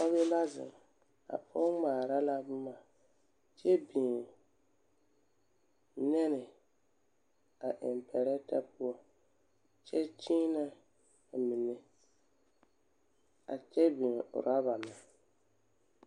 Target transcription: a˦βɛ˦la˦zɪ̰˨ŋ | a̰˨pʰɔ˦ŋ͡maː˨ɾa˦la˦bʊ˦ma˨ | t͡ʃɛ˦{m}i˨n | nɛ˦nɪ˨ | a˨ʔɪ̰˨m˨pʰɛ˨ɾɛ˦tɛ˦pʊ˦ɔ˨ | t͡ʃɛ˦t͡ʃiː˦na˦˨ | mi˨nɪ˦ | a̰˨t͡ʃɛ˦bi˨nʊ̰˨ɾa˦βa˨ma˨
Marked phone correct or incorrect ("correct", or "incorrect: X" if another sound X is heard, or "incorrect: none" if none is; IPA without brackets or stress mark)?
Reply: incorrect: b